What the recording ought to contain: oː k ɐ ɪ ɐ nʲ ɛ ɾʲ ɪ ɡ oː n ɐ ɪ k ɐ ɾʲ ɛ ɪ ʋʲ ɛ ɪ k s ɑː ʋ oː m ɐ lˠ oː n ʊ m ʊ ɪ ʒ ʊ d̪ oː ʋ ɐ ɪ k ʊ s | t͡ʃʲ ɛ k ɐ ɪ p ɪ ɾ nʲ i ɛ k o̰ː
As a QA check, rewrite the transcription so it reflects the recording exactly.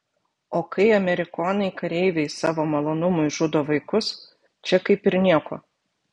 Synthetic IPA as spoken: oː k ɐ ɪ ɐ mʲ ɛ ɾʲ ɪ k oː n ɐ ɪ k ɐ ɾʲ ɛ ɪ ʋʲ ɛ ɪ s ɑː ʋ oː m ɐ lˠ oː n ʊ m ʊ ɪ ʒ ʊ d̪ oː ʋ ɐ ɪ k ʊ s | t͡ʃʲ ɛ k ɐ ɪ p ɪ ɾ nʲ i ɛ k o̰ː